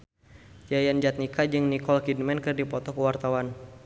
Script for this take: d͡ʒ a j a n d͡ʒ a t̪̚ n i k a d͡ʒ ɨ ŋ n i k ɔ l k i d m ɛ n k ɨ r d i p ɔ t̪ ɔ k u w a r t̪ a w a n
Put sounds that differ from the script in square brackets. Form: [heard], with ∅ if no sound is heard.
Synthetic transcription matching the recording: d͡ʒ a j a n d͡ʒ a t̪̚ n i k a d͡ʒ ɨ ŋ n i k ɔ l k i d m ɛ n k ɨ r d i p ɔ t̪ ɔ k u w a r t̪ a w a n